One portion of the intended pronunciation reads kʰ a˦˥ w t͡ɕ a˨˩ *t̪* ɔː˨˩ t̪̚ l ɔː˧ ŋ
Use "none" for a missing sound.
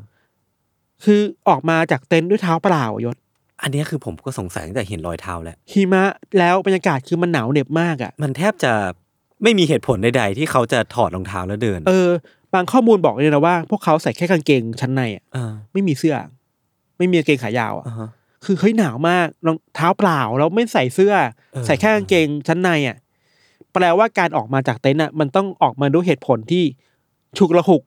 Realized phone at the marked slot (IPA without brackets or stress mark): t̪ʰ